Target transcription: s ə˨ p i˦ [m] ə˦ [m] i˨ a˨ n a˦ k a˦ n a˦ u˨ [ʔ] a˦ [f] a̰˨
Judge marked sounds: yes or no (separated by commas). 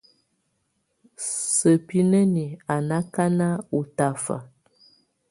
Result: no, no, no, yes